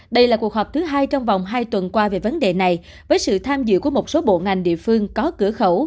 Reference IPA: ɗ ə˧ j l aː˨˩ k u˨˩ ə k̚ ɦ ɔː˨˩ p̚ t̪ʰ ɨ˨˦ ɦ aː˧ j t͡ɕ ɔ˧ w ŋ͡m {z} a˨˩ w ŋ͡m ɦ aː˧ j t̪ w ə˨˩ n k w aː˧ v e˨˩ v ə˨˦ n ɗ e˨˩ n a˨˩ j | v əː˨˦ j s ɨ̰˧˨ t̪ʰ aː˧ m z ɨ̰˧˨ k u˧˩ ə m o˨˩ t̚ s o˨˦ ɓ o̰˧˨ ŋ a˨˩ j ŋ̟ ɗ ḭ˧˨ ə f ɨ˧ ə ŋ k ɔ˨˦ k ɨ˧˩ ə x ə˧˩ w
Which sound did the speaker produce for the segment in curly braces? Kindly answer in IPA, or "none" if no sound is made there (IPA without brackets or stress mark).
v